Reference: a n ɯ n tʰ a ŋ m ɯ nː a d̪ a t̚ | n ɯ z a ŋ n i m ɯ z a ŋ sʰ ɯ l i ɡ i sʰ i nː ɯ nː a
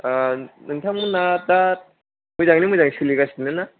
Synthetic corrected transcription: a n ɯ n tʰ a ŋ m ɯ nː a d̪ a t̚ | m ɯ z a ŋ n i m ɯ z a ŋ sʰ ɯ l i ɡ a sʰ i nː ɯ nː a